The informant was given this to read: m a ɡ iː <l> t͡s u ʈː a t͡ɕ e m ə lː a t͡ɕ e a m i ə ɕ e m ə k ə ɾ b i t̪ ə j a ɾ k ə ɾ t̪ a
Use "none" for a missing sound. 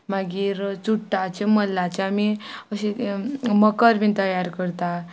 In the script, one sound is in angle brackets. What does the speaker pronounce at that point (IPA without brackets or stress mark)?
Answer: ɾ